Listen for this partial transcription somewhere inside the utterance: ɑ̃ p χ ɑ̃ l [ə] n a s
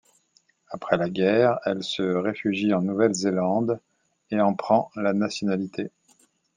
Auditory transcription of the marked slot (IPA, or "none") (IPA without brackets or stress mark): a